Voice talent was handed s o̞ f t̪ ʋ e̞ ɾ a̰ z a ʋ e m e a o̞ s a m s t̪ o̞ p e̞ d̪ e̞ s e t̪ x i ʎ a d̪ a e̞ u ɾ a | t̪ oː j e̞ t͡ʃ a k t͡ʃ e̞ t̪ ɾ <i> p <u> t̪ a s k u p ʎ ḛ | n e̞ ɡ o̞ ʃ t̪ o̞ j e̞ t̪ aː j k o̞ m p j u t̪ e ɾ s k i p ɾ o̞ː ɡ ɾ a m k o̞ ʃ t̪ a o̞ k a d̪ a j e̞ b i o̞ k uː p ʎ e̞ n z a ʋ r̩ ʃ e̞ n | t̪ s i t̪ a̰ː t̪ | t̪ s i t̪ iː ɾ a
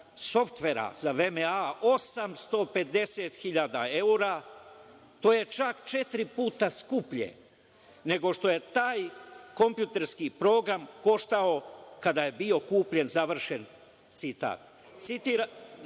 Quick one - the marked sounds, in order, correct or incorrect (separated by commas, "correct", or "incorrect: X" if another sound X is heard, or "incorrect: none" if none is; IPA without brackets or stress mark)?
correct, incorrect: uː